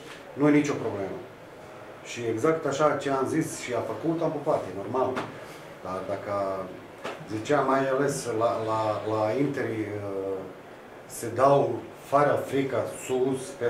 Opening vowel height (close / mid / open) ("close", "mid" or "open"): close